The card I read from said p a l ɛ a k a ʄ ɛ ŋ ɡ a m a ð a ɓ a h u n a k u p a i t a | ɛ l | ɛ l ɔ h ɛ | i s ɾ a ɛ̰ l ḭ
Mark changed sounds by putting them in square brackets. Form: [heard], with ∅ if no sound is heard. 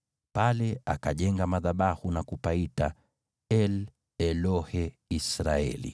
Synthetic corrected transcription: p a l ɛ a k a ʄ ɛ ŋ ɡ a m a ð a ɓ a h u n a k u p a i t a | ɛ l | ɛ l ɔ h ɛ | i s ɾ a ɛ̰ l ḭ